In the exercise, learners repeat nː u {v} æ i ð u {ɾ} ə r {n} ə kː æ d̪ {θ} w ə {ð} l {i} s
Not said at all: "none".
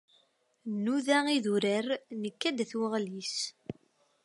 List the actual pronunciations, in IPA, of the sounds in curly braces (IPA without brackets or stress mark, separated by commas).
ð, ɾ, n, θ, ʁ, i